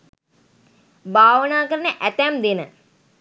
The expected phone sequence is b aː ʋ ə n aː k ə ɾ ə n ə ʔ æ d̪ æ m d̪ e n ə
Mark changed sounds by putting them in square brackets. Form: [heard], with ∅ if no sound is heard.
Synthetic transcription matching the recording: b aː ʋ ə n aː k ə ɾ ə n ə ʔ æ [t̪] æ m d̪ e n ə